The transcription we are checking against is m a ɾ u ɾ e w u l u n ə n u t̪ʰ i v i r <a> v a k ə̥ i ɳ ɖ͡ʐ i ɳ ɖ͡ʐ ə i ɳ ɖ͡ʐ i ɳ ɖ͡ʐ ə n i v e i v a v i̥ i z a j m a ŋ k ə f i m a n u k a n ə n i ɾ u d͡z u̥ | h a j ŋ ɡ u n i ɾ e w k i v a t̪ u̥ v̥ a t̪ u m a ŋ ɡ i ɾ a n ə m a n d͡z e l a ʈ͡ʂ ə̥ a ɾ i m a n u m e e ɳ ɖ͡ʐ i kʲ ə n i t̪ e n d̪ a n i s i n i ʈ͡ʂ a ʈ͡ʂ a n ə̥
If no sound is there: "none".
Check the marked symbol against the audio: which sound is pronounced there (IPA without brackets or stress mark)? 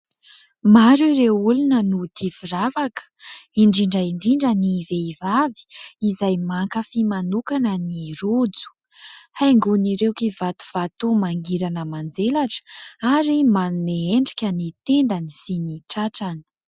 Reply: a